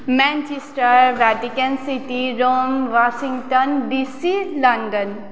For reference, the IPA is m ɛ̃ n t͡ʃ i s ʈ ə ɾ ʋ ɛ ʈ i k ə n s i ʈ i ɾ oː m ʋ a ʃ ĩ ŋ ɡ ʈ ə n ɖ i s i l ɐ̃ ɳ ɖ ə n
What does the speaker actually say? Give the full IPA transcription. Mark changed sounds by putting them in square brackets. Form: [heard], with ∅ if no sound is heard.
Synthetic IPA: m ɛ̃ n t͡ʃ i s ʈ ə ɾ ʋ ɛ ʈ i k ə n s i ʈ i ɾ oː m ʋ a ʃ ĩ ŋ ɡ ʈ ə n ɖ i s i l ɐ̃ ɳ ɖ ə n